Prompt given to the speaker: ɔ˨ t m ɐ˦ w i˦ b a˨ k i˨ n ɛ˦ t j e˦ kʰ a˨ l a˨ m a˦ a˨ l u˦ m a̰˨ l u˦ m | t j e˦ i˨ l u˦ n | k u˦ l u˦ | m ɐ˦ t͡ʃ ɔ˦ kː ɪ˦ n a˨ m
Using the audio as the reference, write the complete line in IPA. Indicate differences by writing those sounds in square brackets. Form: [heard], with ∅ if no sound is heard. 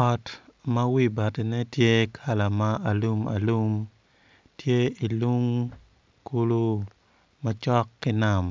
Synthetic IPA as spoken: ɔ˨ t m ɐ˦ w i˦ b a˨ [t] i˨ n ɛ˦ t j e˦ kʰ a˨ l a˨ m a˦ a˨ l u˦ m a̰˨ l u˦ m | t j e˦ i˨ l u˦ [ŋ] | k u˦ l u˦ | m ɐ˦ t͡ʃ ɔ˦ kː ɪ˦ n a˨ m